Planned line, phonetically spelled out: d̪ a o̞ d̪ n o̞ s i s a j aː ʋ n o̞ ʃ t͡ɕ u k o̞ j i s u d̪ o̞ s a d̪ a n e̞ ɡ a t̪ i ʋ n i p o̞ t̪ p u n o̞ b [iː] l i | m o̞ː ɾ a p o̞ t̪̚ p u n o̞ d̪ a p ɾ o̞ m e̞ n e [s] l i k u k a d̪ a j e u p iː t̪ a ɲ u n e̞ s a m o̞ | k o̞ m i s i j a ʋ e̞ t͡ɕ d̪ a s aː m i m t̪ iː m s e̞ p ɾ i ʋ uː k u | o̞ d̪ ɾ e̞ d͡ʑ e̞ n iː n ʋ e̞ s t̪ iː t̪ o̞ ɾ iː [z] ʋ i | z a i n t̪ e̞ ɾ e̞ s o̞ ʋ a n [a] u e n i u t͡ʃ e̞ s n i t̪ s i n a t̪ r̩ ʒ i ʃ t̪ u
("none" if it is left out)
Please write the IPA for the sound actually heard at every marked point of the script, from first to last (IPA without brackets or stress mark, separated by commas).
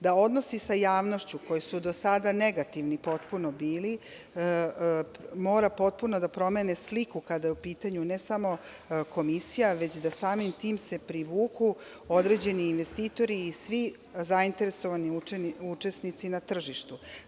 iː, s, s, i